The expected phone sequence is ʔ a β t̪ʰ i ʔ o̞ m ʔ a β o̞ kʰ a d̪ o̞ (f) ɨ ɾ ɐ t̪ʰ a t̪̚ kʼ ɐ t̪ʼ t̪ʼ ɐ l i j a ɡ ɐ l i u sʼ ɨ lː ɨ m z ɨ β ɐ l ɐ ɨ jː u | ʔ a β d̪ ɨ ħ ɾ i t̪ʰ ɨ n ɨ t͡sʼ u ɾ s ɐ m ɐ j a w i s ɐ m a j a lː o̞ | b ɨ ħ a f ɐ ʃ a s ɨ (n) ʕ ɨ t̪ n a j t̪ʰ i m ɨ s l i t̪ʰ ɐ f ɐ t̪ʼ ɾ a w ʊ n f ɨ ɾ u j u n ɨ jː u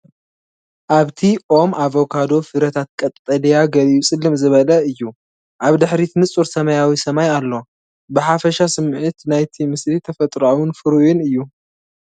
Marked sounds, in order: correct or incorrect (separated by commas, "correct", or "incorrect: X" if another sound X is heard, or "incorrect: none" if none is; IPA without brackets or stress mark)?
correct, incorrect: m